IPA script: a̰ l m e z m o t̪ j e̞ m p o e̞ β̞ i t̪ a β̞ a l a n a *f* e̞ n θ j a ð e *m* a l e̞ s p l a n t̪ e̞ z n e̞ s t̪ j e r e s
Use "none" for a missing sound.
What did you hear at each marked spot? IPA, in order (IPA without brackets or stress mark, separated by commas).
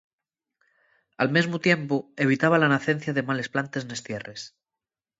θ, m